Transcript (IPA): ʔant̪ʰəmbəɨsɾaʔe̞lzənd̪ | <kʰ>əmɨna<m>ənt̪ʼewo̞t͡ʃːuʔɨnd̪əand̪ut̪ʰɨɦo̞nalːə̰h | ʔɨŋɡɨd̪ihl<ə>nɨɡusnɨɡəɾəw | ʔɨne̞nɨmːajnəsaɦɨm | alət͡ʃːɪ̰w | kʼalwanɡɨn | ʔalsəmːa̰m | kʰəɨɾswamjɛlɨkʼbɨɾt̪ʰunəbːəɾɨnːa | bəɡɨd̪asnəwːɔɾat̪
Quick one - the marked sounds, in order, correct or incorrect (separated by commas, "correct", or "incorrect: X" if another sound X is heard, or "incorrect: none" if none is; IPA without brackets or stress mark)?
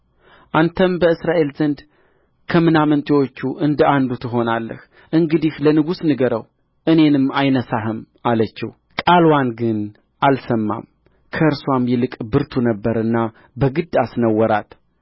correct, correct, correct